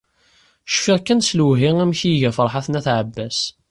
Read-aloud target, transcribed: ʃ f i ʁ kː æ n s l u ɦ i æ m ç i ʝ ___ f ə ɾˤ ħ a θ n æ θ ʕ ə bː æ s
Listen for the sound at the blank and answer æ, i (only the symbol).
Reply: æ